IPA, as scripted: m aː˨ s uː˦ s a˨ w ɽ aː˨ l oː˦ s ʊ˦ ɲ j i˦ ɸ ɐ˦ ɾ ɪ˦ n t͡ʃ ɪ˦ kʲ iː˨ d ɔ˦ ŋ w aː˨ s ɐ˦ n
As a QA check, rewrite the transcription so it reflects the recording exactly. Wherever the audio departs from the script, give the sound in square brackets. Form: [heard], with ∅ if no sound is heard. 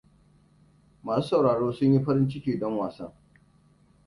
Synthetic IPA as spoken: m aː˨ s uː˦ s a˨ w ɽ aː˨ [ɽ] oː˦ s ʊ˦ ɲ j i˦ ɸ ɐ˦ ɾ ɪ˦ n t͡ʃ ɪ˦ kʲ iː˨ d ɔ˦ ŋ w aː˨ s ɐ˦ [ŋ]

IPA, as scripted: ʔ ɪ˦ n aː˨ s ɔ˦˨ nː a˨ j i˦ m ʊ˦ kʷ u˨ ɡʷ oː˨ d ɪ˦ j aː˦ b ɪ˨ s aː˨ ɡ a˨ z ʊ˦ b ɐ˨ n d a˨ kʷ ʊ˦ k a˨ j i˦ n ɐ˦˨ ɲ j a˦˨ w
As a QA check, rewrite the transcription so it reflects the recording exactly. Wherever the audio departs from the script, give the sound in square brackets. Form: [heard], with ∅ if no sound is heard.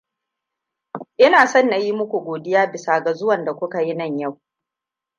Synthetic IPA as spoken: ʔ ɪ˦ n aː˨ s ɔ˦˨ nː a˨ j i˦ m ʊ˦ kʷ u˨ ɡʷ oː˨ d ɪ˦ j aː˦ b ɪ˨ s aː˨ ɡ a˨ z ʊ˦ [w] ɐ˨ n d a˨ kʷ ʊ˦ k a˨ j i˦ n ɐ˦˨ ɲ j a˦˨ w

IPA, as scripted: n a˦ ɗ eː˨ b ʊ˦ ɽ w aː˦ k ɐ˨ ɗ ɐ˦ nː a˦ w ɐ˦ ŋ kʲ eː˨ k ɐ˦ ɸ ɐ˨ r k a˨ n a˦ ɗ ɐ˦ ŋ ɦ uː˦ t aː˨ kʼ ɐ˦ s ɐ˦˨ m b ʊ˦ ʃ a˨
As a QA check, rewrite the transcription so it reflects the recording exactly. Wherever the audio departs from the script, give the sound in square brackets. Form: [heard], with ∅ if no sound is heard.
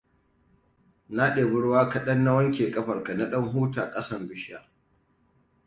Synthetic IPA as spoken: n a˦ ɗ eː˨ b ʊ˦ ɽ w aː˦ k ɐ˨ ɗ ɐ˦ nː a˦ w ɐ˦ ŋ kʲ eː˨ [kʼ] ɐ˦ ɸ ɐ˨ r k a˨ n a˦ ɗ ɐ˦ ŋ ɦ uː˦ t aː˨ kʼ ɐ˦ s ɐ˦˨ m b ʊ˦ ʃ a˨

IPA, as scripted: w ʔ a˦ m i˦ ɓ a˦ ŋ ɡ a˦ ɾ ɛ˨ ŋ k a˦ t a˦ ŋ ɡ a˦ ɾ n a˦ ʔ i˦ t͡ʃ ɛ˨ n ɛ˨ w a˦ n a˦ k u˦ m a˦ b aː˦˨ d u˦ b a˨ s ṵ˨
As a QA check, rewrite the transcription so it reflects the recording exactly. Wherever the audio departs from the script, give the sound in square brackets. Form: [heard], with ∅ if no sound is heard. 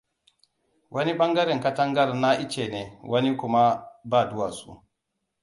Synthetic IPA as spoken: w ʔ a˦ [n] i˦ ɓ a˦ ŋ ɡ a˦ ɾ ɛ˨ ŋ k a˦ t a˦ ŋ ɡ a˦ ɾ n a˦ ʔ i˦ t͡ʃ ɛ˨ n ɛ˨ w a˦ n [i˦] k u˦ m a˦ b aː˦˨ d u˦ [w] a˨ s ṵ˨

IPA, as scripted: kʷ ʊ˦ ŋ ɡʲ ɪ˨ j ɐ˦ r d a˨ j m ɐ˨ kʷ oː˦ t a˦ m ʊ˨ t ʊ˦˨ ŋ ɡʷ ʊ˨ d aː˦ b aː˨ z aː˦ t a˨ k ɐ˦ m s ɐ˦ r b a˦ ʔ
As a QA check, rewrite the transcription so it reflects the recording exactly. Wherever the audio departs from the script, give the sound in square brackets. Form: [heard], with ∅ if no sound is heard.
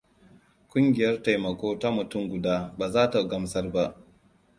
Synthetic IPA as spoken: kʷ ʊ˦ ŋ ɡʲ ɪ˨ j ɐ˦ r [t] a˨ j m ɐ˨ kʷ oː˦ t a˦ m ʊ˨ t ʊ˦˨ ŋ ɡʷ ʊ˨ d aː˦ b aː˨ z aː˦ t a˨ [ɡ] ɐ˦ m s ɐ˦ r b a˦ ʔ

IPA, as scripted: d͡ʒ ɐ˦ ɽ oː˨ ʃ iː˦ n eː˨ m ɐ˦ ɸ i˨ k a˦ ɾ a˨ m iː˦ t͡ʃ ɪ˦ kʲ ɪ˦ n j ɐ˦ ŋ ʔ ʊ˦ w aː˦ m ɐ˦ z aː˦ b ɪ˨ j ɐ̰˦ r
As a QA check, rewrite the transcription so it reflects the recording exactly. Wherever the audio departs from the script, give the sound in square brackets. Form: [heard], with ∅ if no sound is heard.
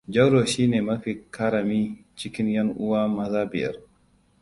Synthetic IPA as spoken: d͡ʒ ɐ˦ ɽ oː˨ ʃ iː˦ n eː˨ m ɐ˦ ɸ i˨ k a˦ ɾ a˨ m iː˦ t͡ʃ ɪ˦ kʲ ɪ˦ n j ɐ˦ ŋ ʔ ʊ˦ w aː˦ m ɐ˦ z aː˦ b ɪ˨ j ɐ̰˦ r

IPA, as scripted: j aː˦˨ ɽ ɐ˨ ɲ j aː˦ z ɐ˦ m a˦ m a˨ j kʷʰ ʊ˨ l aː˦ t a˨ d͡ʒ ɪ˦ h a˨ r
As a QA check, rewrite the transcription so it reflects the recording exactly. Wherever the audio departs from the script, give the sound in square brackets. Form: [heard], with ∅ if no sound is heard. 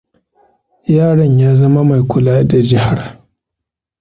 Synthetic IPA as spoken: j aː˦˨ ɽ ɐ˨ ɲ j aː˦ z ɐ˦ m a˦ m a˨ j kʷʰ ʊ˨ l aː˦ [d] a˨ d͡ʒ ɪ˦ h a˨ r

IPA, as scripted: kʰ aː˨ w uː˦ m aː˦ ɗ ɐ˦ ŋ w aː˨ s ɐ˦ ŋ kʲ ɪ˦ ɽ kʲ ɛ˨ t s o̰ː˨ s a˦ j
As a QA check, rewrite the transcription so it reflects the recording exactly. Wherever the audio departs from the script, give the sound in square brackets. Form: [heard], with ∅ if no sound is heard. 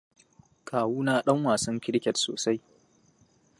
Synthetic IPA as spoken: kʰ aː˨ w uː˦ [n] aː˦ ɗ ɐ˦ ŋ w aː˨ s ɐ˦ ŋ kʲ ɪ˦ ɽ kʲ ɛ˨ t s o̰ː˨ s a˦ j

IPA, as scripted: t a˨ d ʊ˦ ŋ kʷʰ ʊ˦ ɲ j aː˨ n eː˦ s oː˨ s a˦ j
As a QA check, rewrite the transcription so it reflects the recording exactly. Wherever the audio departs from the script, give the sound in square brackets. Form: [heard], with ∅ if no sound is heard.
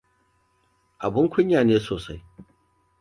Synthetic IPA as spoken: [ʔ] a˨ [b] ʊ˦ ŋ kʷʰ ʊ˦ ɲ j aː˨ n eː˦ s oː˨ s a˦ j

